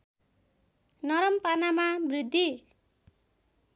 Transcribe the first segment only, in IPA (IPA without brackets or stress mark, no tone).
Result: n